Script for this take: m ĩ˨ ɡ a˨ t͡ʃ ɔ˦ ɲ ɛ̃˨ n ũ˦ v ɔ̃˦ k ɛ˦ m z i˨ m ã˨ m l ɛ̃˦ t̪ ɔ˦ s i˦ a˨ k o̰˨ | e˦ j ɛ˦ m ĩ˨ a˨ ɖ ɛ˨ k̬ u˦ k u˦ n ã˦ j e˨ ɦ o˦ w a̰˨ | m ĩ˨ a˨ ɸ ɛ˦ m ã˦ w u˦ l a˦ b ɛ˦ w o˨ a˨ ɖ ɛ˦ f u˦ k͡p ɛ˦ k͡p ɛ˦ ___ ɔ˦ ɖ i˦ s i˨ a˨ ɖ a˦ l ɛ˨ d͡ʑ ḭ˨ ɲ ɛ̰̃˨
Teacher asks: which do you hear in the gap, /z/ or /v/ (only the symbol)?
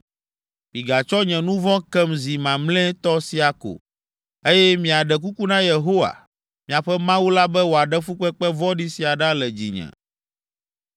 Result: v